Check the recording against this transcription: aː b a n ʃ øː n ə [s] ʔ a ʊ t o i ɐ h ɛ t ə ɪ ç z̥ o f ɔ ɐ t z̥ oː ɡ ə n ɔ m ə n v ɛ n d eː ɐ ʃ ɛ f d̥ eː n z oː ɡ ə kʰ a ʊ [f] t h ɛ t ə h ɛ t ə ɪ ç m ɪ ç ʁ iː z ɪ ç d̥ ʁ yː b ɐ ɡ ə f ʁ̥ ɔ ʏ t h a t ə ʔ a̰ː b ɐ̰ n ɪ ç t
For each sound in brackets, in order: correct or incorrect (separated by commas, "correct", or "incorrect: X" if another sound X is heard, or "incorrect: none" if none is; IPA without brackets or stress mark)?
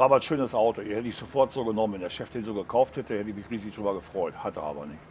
correct, correct